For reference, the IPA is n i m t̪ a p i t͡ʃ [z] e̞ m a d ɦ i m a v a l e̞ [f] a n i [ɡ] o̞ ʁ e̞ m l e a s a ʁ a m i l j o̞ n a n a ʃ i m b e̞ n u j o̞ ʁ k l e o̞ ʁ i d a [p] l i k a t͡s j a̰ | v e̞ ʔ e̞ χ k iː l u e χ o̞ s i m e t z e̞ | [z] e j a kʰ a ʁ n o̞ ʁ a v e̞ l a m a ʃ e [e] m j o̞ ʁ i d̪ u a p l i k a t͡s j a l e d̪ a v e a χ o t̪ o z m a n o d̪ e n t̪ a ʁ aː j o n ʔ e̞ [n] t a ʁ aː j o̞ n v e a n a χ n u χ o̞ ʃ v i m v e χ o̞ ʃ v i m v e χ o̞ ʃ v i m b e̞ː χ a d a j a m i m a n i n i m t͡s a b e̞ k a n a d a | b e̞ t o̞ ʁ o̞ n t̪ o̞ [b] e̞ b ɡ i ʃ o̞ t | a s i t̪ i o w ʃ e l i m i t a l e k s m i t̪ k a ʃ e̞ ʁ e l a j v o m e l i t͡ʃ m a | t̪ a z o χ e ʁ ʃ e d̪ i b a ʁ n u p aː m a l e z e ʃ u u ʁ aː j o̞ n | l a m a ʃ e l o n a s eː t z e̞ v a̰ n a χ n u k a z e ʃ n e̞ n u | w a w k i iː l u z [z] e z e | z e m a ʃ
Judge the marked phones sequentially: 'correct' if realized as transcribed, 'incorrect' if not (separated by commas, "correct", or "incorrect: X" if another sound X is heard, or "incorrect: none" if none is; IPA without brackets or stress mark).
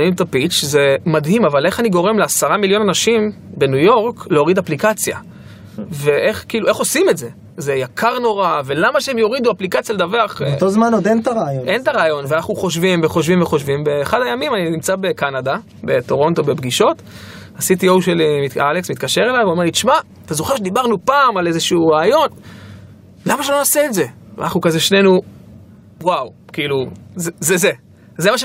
correct, incorrect: χ, correct, correct, correct, correct, correct, correct, correct